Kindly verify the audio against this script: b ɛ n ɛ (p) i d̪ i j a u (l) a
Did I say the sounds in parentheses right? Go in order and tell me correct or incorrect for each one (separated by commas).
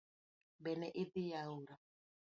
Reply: incorrect, incorrect